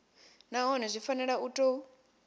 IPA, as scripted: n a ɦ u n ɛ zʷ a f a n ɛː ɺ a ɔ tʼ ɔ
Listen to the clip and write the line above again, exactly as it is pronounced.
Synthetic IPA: n a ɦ ɔ n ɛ zʷ i f a n ɛ ɺ a u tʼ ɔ

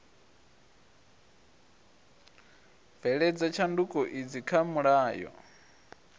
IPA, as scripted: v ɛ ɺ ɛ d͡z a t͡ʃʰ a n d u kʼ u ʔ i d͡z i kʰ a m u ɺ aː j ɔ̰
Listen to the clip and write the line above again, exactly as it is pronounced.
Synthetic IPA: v ɛ ɺ ɛ d͡z a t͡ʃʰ a n d u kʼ ɔ ʔ i d͡z i kʰ a m u ɺ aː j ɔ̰

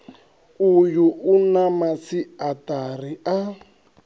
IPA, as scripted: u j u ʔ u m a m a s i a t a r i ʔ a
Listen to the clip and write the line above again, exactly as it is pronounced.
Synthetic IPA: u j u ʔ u n a m a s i a t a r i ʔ a

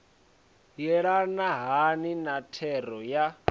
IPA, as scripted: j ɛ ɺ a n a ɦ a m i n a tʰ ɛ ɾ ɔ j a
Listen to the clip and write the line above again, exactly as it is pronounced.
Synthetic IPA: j ɛ ɺ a n a ɦ a n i n a tʰ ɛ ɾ ɔ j a

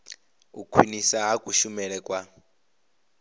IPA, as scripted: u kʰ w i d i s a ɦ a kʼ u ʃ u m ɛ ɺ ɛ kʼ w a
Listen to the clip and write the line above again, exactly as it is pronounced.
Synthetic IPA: u kʰ w i n i s a ɦ a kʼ u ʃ u m ɛ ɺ ɛ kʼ w a

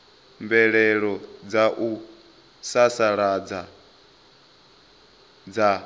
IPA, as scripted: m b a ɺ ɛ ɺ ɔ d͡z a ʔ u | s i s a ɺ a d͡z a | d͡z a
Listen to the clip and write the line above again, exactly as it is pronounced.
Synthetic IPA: m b ɛ ɺ ɛ ɺ ɔ d͡z a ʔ u | s a s a ɺ a d͡z a | d͡z a

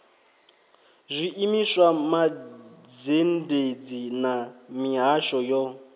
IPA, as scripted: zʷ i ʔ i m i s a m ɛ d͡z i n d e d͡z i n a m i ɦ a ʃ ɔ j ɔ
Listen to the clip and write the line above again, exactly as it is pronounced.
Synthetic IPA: zʷ i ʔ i m i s a m a d͡z e n d e d͡z i n a m i ɦ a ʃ ɔ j ɔ

